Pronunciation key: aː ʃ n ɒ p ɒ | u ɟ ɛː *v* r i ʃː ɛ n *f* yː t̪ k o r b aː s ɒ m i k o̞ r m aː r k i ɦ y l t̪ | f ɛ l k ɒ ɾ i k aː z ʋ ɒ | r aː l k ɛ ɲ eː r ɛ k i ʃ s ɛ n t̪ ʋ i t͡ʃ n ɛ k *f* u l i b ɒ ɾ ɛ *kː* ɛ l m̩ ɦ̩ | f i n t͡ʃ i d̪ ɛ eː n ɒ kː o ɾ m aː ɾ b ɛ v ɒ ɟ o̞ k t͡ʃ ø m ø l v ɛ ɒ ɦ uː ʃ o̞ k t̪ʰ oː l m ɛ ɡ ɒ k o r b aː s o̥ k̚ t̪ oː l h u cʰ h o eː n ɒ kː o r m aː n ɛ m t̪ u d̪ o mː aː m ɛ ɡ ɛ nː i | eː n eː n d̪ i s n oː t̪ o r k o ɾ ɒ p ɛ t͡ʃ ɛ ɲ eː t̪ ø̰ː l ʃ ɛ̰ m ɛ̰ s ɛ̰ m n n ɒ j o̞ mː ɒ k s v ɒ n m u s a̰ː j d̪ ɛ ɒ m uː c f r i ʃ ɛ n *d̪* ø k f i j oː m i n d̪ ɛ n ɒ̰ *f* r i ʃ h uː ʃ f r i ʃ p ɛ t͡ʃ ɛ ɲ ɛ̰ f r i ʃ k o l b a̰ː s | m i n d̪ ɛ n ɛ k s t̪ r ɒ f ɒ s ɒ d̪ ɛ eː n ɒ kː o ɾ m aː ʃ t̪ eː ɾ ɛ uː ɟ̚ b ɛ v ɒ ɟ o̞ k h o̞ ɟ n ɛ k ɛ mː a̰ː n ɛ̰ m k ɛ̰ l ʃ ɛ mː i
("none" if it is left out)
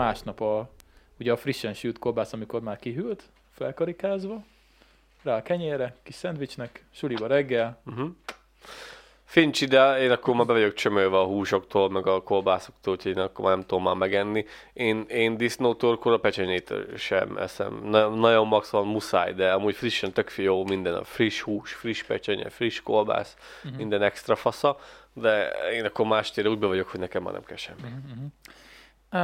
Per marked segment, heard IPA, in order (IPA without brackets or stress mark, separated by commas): f, ʃ, ʃ, ɡː, t̪, f